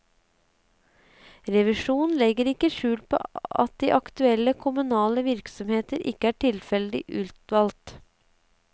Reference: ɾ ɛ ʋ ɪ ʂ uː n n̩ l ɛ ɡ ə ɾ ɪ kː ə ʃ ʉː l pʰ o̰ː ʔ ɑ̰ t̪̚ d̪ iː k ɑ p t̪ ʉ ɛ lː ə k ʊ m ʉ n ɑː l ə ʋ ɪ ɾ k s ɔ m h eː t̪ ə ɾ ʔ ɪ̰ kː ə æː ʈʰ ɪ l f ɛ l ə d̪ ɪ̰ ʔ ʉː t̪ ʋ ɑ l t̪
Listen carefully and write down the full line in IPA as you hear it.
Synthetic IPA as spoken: ɾ ɛ ʋ ɪ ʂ uː n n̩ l ɛ ɡ ə ɾ ɪ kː ə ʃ ʉː l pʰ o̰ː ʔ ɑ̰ t̪̚ d̪ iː ʔ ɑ k t̪ ʉ ɛ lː ə kʰ ʊ m ʉ n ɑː l ə ʋ ɪ ɾ k s ɔ m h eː t̪ ə ɾ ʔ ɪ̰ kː ə æː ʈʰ ɪ l f ɛ l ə d̪ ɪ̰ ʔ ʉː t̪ ʋ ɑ l t̪